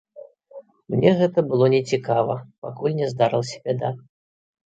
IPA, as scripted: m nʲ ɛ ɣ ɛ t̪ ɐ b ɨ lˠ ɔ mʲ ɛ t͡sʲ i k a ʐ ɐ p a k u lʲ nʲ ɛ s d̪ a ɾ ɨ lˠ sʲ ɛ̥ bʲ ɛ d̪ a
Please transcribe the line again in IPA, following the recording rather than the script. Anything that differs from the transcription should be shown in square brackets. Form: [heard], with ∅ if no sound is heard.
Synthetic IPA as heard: m nʲ ɛ ɣ ɛ t̪ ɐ b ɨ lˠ ɔ [nʲ] ɛ t͡sʲ i k a [v] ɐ p a k u lʲ nʲ ɛ [z] d̪ a ɾ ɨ lˠ sʲ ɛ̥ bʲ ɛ d̪ a